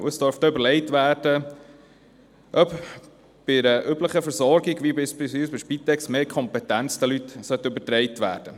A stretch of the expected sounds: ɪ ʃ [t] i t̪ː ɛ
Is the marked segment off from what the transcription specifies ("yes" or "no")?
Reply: yes